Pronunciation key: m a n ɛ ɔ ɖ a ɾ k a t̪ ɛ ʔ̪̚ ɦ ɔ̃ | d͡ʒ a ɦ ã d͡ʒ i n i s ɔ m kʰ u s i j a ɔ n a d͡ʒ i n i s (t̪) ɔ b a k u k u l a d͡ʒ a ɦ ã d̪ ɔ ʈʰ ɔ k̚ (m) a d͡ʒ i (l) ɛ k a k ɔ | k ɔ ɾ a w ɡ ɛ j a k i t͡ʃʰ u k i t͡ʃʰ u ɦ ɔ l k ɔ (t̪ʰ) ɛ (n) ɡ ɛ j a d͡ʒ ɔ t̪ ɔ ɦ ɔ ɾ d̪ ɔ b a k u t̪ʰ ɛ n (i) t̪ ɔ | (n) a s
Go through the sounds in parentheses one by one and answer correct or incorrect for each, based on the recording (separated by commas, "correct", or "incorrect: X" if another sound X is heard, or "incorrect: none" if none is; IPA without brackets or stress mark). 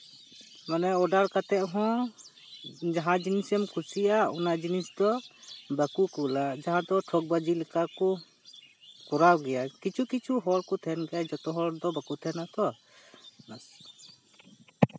incorrect: d̪, incorrect: b, correct, correct, correct, incorrect: a, correct